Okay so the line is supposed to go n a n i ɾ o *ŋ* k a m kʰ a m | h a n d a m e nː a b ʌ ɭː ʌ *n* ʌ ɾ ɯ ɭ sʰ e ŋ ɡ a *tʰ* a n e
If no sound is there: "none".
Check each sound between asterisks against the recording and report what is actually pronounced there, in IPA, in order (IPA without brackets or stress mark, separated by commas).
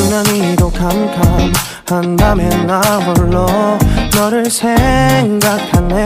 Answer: none, n, kʰ